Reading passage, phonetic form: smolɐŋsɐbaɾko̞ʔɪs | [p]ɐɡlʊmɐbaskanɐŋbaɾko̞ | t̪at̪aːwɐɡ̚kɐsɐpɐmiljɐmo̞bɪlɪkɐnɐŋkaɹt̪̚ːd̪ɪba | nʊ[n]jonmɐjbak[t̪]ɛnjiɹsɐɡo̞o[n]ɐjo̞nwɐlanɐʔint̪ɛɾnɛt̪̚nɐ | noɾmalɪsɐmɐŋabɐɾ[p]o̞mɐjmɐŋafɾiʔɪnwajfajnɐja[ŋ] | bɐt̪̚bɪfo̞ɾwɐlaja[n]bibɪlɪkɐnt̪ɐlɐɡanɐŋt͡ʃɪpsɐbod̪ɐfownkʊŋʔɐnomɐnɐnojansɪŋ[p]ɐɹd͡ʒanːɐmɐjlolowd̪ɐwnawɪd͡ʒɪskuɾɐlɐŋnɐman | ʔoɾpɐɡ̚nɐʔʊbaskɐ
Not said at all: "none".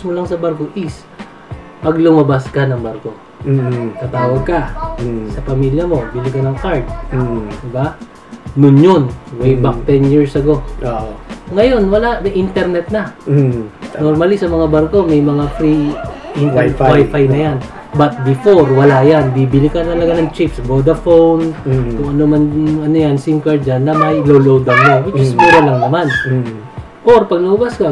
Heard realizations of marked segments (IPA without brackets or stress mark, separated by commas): p, n, t̪, ŋ, k, n, n, k